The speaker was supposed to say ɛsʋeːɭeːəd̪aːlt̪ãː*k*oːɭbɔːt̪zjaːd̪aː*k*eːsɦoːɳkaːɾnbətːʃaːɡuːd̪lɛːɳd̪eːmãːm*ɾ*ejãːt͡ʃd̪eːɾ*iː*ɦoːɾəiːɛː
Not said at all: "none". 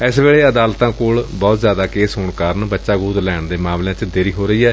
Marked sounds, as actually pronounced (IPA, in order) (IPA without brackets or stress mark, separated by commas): k, k, l, iː